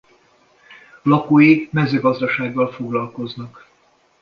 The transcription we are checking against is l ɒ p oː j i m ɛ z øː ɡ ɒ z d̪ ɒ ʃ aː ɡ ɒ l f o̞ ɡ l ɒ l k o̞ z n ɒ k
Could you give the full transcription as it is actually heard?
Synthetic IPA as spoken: l ɒ k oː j i m ɛ z øː ɡ ɒ z d̪ ɒ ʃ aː ɡː ɒ l f o̞ ɡ l ɒ l k o̞ z n ɒ k